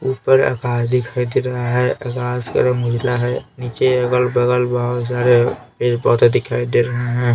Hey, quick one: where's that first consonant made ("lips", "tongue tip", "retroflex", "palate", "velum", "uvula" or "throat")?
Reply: lips